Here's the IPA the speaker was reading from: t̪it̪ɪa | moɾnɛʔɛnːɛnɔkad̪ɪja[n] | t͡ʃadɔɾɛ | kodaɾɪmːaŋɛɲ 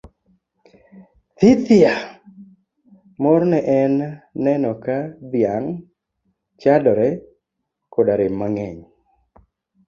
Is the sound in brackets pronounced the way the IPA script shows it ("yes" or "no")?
no